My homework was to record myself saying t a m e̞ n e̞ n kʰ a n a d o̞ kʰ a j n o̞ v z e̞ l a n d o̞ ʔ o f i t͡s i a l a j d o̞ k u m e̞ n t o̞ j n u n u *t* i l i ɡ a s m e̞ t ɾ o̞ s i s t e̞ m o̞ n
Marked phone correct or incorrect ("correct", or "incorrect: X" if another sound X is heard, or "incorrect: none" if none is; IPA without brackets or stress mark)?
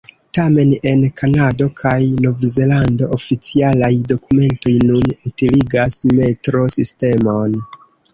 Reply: correct